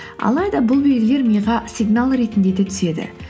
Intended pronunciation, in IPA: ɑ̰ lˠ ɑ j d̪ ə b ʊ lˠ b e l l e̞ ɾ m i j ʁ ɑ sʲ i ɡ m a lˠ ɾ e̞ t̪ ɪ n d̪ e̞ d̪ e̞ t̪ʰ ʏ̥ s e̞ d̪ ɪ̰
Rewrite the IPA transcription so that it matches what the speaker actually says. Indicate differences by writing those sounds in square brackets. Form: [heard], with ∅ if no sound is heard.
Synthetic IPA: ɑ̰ lˠ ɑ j d̪ [ɑ] b ʊ lˠ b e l l e̞ ɾ m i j ʁ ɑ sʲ i ɡ [n] a lˠ ɾ e̞ t̪ ɪ n d̪ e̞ d̪ e̞ t̪ʰ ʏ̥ s e̞ d̪ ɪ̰